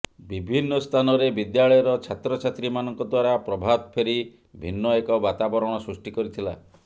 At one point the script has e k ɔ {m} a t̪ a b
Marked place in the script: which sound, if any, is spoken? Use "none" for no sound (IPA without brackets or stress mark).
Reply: b